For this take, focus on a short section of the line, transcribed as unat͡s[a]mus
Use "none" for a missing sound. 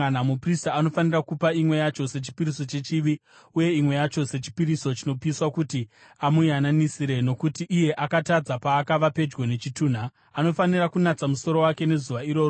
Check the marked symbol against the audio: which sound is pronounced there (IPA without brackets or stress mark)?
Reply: a